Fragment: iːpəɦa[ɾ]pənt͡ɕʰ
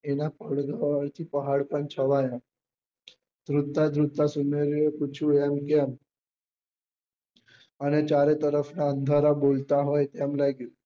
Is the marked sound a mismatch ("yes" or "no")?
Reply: yes